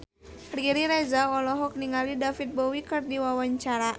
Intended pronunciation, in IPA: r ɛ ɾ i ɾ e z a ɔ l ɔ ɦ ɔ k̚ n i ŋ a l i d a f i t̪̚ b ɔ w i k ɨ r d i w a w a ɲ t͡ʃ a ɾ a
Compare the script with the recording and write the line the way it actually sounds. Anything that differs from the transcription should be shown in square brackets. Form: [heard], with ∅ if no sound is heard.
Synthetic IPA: r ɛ ɾ i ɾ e z a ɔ l ɔ ɦ ɔ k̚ n i ŋ a l i d a f i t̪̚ b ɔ w i k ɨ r d i w a w a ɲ t͡ʃ a ɾ a